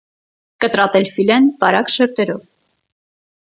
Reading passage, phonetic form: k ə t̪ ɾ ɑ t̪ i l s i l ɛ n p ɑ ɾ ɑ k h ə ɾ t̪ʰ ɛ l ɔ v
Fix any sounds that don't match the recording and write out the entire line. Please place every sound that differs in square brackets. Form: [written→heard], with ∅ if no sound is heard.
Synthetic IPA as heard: k ə t̪ ɾ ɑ t̪ [i→ɛ] l [s→f] i l ɛ n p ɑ ɾ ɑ k [h→ʃ] ə ɾ [t̪ʰ→t̪] ɛ [l→ɾ] ɔ v